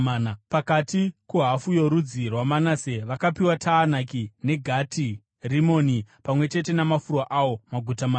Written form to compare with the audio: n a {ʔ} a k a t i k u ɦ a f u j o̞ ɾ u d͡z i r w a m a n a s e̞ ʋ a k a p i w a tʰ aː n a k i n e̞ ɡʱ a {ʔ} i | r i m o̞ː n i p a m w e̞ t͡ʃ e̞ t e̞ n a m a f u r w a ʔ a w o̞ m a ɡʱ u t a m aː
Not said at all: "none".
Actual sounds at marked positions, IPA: p, t

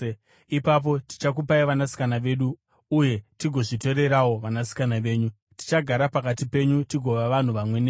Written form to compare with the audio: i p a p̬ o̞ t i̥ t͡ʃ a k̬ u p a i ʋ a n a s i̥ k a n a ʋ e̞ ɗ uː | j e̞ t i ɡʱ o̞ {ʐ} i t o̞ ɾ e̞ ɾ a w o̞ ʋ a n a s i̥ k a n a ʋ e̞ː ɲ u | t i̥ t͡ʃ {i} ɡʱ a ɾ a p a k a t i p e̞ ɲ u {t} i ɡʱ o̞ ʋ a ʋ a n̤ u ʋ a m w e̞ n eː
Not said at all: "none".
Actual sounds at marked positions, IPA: ʐ, a, t

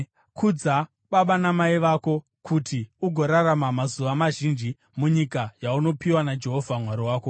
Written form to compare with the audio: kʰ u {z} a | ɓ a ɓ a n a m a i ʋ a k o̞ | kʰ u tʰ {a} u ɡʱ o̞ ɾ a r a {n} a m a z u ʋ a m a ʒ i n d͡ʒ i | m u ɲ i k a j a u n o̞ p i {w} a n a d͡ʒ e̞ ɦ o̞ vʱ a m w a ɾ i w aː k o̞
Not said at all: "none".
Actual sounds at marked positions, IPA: d͡z, i, m, w

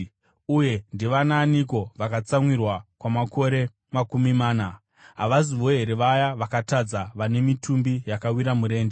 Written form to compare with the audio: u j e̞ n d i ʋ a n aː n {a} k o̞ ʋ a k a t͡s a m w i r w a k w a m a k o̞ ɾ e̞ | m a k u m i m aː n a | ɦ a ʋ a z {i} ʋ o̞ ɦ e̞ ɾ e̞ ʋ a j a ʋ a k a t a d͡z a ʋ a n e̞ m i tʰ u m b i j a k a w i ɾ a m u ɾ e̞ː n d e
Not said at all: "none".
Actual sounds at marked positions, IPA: i, i

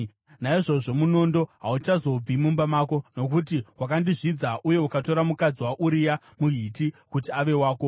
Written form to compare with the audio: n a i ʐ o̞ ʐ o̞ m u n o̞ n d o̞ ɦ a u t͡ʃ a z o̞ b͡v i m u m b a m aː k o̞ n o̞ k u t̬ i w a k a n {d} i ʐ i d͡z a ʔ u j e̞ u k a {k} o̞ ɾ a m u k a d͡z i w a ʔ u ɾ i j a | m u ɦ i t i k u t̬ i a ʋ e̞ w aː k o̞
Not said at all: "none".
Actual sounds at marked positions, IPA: d, t

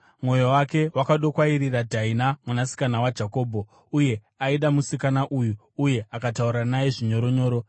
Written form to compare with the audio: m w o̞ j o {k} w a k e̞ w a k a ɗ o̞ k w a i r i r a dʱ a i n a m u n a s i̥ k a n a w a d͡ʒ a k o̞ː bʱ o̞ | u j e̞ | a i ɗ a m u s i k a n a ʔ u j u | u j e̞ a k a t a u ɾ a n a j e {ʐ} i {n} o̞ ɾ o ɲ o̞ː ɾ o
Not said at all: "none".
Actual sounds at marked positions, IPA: none, ʐ, ɲ

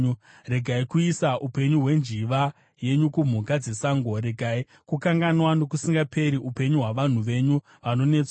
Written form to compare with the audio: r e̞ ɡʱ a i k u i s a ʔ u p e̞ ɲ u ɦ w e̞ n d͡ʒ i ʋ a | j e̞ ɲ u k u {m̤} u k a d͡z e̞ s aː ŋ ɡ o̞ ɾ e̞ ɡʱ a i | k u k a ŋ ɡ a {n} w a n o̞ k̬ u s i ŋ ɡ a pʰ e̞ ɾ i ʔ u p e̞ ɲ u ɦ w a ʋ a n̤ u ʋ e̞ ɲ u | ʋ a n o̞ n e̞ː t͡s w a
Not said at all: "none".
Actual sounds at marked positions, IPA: m̤, n

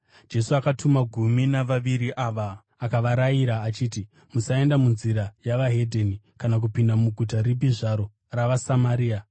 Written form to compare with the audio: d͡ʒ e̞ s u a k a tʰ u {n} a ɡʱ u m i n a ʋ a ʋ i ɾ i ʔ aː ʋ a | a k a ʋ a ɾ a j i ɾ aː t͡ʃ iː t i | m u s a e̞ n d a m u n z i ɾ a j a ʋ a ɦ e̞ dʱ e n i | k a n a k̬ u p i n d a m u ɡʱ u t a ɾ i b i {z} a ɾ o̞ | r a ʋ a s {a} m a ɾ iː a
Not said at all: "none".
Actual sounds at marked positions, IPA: m, ʐ, a

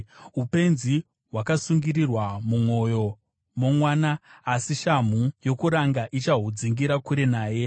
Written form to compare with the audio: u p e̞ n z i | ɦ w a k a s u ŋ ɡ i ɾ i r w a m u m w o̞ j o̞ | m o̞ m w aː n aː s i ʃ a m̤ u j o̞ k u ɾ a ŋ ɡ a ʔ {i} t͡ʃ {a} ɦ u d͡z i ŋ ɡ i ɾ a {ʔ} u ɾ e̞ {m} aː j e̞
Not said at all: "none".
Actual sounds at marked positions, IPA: i, a, k, n

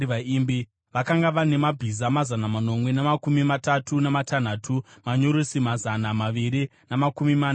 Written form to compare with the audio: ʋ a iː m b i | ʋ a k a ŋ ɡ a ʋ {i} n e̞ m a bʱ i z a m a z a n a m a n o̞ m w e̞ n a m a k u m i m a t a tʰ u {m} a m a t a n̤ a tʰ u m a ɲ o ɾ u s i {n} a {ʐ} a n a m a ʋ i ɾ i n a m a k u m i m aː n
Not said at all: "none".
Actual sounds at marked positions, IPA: a, n, m, z

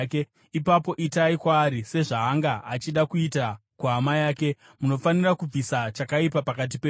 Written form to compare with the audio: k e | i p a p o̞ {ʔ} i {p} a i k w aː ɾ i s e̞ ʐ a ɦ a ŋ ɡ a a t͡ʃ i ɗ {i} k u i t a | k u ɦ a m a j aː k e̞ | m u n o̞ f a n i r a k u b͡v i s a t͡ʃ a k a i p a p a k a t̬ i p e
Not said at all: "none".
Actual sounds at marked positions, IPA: ʔ, t, a

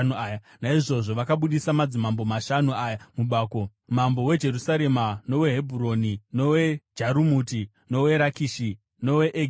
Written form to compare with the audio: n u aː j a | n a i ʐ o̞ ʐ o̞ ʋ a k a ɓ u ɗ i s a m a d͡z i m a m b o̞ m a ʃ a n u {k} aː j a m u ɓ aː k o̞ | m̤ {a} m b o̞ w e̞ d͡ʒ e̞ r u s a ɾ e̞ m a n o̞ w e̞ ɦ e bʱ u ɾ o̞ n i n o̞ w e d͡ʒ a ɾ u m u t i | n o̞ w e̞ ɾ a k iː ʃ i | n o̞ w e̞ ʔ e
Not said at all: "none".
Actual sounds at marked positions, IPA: none, a

